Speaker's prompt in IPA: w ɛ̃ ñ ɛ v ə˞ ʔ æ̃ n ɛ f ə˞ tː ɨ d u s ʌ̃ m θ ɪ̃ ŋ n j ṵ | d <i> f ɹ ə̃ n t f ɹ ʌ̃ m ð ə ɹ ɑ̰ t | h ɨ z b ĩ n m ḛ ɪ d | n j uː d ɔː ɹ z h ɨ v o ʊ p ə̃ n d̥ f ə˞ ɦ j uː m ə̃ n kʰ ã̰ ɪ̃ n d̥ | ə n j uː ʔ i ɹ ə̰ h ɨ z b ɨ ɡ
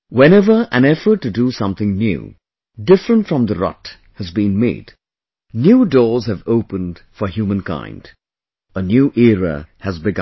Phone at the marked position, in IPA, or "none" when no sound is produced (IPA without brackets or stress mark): ɪ